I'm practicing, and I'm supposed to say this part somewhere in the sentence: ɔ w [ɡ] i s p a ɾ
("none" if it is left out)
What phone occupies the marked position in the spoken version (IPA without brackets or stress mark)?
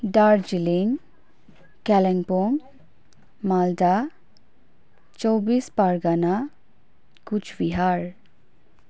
b